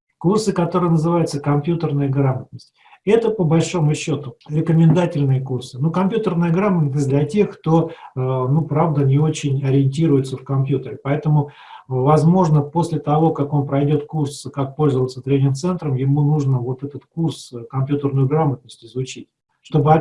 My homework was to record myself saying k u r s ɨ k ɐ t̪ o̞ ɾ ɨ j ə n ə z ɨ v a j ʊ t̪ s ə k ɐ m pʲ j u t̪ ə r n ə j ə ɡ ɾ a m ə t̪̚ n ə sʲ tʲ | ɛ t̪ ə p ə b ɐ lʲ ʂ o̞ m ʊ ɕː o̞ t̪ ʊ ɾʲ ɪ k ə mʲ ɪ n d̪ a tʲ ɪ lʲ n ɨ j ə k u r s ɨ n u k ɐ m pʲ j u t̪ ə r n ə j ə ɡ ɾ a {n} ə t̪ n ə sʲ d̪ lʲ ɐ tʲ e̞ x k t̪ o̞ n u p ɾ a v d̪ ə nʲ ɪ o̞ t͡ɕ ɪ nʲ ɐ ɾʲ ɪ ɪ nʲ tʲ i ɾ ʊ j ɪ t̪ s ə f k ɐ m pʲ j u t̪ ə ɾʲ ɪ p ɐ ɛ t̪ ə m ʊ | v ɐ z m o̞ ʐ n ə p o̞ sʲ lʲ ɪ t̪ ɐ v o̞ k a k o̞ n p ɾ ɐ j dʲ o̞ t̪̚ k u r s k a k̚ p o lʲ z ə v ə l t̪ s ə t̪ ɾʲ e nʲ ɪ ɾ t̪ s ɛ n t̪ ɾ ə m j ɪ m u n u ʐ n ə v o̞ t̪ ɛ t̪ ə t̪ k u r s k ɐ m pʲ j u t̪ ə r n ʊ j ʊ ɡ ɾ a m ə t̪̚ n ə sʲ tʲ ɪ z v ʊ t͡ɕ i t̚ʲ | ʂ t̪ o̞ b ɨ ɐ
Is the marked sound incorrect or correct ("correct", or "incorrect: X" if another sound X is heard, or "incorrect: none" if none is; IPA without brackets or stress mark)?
incorrect: m